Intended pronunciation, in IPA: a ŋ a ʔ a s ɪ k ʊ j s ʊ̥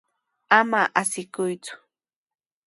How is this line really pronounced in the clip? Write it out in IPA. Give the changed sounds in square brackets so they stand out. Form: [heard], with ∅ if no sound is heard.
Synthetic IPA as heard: a [m] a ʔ a s ɪ k ʊ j [t͡s] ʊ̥